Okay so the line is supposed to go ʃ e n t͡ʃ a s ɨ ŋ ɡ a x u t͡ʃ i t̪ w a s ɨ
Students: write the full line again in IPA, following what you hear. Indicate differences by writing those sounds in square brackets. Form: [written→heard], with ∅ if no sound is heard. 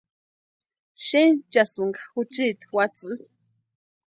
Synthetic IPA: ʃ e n t͡ʃ a s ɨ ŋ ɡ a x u t͡ʃ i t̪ w a [s→t͡s] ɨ